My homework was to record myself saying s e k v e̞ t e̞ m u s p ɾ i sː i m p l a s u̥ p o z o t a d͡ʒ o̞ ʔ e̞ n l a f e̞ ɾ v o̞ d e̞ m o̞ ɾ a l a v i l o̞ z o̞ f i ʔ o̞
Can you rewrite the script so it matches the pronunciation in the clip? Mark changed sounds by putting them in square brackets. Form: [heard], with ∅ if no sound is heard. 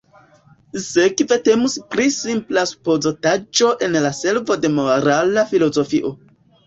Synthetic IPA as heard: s e k v e̞ t e̞ m u s p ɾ i [s] i m p l a s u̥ p o z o t a d͡ʒ o̞ ʔ e̞ n l a [s] e̞ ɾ v o̞ d e̞ m o̞ ɾ a l a [f] i l o̞ z o̞ f i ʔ o̞